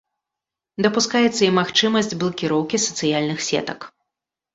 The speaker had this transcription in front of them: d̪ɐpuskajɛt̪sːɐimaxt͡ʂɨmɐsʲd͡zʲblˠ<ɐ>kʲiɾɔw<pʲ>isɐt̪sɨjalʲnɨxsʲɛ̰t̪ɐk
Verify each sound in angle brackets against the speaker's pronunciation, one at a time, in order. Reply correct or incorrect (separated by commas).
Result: correct, incorrect